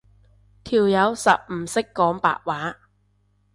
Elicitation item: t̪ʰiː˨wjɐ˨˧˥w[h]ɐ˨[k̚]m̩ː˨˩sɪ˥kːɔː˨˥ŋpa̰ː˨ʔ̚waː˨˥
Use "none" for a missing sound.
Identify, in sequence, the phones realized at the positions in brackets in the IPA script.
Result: s, p̚

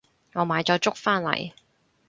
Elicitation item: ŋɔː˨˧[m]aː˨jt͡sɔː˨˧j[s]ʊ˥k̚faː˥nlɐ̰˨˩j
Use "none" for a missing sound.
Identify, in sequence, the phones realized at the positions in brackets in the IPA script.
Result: m, t͡s

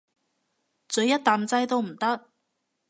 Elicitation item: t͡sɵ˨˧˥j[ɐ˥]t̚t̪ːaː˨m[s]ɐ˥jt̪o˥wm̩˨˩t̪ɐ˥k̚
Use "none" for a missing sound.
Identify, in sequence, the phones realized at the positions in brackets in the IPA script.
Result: ɐ˥, t͡s

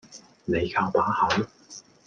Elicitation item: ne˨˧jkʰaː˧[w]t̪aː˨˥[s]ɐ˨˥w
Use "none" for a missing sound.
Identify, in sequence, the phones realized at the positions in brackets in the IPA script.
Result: w, h

